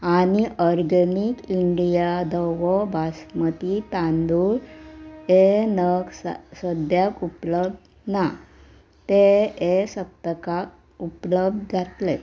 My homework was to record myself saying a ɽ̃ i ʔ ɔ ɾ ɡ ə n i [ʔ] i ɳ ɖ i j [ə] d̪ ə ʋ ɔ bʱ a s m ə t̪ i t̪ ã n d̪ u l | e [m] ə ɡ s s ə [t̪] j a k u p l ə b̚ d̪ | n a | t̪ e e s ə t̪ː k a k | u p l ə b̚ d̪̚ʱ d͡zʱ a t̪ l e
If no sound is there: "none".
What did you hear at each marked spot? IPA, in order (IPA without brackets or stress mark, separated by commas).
k, a, n, d̪